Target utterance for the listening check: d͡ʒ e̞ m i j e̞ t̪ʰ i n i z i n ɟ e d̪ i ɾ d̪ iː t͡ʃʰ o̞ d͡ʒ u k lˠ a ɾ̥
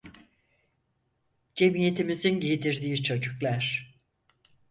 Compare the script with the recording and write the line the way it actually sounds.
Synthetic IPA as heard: d͡ʒ e̞ m i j e̞ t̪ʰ i m i z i n ɟ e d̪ i ɾ d̪ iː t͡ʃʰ o̞ d͡ʒ u k lˠ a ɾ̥